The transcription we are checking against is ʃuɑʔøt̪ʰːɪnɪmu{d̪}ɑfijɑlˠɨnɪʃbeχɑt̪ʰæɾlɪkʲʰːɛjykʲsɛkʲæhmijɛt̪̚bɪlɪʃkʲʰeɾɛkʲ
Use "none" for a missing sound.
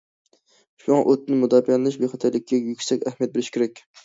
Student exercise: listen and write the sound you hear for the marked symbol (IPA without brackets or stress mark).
d̪